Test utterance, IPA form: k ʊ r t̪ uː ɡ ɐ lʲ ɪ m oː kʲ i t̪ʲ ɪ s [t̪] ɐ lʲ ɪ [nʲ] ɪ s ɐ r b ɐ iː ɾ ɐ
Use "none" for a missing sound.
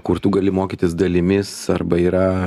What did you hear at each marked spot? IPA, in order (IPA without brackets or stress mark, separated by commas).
d̪, mʲ